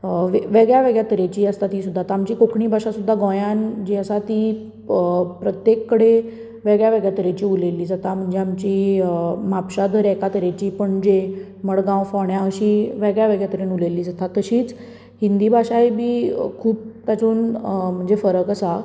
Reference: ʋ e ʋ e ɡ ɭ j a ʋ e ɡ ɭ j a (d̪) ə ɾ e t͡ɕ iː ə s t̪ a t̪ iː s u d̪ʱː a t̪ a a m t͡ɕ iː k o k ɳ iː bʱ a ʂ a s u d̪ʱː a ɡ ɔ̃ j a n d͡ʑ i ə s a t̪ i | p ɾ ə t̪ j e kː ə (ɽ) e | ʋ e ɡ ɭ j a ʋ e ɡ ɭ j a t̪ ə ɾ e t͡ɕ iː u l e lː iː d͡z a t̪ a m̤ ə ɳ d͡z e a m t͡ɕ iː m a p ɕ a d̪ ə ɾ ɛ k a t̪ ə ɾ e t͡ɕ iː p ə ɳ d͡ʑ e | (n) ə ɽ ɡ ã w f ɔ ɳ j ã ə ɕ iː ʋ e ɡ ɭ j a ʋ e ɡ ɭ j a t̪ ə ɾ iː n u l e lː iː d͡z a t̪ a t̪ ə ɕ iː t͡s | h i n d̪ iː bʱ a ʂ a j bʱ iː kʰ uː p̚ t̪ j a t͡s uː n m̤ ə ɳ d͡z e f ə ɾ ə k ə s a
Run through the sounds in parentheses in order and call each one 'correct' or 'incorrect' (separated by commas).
incorrect, correct, incorrect